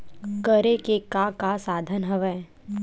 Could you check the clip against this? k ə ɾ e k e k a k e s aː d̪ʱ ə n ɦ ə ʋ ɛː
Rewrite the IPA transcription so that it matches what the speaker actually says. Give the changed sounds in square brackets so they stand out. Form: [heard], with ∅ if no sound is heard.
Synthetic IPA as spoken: k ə ɾ e k e k a k [a] s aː d̪ʱ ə n ɦ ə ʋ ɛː